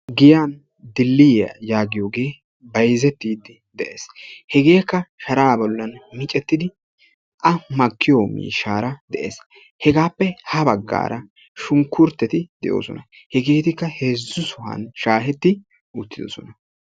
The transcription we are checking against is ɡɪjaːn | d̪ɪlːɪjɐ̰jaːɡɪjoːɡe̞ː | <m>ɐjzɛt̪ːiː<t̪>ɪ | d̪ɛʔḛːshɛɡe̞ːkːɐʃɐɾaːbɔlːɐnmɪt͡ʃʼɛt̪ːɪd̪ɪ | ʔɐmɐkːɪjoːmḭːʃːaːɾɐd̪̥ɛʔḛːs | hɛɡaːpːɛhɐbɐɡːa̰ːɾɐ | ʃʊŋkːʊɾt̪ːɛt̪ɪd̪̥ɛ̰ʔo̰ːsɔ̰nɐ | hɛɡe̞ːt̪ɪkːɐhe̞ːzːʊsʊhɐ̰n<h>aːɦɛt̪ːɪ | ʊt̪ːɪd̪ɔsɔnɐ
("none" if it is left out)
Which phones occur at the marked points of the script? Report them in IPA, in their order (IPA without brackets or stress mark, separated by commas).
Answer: b, d̪, ʃ